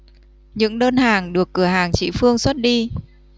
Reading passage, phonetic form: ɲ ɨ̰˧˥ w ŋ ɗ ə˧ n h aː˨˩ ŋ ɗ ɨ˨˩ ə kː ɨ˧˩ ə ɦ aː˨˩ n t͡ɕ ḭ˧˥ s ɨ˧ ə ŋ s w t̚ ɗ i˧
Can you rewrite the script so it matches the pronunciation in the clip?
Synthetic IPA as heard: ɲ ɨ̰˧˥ ŋ ɗ əː˧ n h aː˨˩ ŋ ɗ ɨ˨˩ ə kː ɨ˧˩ ə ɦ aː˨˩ ŋ t͡ɕ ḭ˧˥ f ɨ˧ ə ŋ s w t̚ ɗ i˧